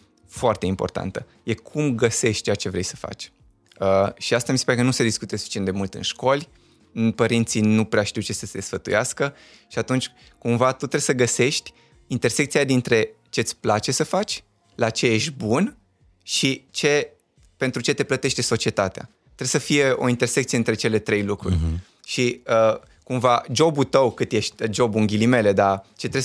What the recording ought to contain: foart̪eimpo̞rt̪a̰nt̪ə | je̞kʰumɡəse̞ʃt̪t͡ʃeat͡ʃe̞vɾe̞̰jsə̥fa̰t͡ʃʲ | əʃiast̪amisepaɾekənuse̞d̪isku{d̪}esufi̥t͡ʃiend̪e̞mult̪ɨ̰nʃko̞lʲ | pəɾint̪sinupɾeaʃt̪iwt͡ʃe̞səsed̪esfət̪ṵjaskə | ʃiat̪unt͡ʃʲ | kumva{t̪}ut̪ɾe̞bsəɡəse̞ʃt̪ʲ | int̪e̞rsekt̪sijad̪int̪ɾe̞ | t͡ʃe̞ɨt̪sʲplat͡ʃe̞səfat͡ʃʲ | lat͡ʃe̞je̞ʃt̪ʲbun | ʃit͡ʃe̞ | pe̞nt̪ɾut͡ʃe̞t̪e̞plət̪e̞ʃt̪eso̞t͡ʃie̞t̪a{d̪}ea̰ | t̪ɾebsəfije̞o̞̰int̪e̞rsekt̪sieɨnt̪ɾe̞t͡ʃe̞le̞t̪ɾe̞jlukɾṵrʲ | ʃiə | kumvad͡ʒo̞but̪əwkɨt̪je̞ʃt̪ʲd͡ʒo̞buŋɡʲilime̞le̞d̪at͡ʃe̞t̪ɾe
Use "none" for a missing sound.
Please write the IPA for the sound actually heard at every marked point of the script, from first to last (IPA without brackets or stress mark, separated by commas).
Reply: t̪, t̪, t̪